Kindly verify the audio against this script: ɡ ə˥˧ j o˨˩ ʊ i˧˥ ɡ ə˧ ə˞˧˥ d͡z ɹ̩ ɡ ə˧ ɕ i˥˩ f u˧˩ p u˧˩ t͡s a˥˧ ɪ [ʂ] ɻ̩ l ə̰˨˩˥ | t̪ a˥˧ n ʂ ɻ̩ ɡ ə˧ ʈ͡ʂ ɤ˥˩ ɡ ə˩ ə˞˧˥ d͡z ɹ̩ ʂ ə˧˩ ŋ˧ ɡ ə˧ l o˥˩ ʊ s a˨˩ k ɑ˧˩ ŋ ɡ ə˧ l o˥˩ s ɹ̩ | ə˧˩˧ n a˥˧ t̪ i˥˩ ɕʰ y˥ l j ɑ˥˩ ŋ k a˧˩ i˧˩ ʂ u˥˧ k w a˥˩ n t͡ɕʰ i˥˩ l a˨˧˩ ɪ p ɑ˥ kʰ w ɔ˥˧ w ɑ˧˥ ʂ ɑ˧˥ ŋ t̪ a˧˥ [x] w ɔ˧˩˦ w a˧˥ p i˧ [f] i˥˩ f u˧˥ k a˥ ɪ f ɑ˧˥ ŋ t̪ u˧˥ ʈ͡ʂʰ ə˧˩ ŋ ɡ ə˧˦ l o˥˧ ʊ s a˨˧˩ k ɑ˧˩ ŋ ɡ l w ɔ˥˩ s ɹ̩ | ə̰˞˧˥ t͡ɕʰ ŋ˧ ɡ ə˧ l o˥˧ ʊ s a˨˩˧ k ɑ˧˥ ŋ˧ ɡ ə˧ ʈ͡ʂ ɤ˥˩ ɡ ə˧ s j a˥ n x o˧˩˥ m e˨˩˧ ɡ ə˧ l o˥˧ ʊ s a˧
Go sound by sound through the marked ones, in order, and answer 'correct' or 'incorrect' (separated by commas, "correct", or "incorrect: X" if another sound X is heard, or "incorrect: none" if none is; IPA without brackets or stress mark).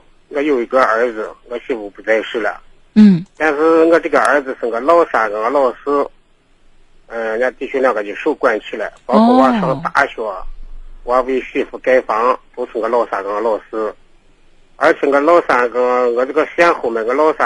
correct, incorrect: ɕ, incorrect: ɕ